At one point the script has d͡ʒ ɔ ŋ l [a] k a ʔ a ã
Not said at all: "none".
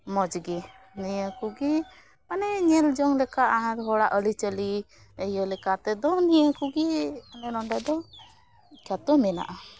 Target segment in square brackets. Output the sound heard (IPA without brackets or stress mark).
ɛ